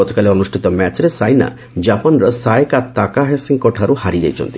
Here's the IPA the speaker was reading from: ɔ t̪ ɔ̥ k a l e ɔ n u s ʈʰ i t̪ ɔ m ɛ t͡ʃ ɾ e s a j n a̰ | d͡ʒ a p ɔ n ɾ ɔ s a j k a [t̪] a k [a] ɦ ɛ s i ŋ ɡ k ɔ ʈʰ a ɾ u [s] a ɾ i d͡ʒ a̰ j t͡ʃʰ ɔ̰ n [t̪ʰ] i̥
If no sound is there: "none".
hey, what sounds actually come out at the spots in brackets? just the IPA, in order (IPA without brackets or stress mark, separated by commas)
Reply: t̪, a, h, t̪